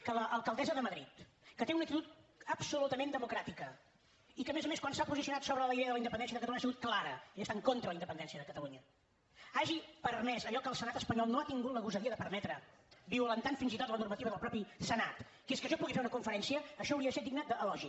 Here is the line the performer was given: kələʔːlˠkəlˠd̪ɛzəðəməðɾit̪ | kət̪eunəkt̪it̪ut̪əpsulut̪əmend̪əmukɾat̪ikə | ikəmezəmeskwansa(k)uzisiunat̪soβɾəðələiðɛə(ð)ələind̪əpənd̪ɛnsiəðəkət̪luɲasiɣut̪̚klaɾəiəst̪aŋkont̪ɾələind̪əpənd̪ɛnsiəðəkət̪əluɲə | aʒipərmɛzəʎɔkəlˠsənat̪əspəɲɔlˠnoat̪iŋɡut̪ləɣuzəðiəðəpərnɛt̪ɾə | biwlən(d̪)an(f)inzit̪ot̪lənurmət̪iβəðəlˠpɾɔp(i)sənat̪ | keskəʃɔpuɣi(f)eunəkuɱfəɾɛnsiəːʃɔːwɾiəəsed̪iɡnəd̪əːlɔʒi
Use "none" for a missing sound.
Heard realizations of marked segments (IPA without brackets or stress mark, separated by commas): p, ð, t̪, f, i, f